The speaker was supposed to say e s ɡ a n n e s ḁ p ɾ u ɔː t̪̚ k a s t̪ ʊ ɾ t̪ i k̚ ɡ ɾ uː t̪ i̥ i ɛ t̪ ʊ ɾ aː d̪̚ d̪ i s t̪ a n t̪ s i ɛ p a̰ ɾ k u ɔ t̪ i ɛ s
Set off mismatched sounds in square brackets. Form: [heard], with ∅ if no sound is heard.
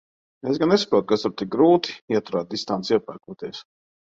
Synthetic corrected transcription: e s ɡ a n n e s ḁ p ɾ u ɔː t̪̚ k a s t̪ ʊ ɾ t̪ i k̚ ɡ ɾ uː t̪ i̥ i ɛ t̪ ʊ ɾ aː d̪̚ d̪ i s t̪ a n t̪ s i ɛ p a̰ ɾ k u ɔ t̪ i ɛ s